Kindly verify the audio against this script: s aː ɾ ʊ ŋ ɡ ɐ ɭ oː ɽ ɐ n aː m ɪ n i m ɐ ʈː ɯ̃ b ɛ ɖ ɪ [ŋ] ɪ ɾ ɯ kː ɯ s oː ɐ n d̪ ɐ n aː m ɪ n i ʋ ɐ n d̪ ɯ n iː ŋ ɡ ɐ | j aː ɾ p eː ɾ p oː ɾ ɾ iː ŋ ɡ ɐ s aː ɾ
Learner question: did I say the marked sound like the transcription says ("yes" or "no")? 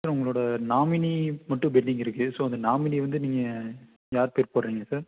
yes